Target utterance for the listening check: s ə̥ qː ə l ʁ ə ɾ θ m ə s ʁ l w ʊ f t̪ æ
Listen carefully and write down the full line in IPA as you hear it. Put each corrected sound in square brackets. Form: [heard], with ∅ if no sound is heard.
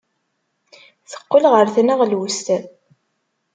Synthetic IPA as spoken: [θ] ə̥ qː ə l ʁ ə ɾ θ [n] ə [∅] ʁ l w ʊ [s] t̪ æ